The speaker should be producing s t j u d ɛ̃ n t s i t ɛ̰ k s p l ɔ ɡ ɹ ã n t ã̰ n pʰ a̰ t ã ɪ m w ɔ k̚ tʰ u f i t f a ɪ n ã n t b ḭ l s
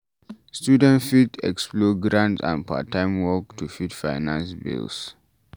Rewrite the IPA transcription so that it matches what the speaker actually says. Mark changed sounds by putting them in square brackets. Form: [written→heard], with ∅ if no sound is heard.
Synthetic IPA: s t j u d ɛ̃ n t [s→f] i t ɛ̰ k s p l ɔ ɡ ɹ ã n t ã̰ n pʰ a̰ t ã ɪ m w ɔ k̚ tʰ u f i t f a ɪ n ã n [t→s] b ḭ l s